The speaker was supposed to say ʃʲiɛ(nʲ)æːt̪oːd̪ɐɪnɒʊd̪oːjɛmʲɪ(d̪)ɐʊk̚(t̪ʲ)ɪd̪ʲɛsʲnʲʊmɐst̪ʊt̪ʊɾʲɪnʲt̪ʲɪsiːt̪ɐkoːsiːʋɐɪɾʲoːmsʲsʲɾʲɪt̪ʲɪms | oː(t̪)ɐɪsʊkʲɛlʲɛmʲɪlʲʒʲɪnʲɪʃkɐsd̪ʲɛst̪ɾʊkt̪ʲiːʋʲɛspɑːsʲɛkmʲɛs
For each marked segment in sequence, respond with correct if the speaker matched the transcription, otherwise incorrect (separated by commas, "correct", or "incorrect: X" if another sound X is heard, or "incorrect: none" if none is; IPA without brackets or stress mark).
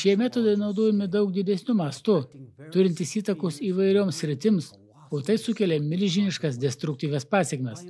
incorrect: mʲ, correct, incorrect: d̪ʲ, correct